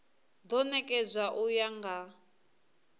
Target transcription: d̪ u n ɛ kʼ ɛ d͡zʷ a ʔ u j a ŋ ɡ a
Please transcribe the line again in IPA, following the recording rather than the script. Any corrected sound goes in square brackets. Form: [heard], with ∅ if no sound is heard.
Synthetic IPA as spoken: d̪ [ɔ] n ɛ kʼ ɛ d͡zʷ a ʔ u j a ŋ ɡ a